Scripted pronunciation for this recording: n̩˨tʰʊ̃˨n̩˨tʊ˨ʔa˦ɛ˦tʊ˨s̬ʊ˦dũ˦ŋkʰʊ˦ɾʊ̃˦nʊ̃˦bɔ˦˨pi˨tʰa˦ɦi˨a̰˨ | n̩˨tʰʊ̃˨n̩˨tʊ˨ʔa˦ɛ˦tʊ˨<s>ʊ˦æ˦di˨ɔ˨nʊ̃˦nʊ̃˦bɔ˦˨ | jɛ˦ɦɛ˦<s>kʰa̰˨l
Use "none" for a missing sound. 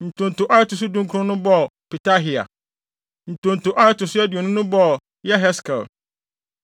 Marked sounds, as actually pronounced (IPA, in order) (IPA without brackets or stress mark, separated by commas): s, s